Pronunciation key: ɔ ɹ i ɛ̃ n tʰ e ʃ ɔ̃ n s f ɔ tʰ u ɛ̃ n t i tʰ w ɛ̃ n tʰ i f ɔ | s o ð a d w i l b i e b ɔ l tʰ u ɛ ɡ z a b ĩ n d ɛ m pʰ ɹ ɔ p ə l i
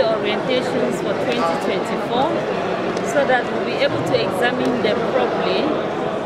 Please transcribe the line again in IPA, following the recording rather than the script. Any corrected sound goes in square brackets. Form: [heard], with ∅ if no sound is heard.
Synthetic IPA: ɔ ɹ i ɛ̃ n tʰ e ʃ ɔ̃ n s f ɔ tʰ [w] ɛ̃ n t i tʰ w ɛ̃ n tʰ i f ɔ | s o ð a [t] w i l b i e b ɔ l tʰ u ɛ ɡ z a [m] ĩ n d ɛ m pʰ ɹ ɔ p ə l i